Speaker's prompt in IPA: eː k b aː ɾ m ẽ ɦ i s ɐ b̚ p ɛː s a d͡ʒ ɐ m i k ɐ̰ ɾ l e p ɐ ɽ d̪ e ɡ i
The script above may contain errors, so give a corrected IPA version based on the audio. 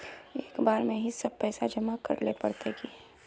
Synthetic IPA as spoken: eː k b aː ɾ m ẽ ɦ i s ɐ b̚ p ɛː s a d͡ʒ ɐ m a k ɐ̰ ɾ l e p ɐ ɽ t̪ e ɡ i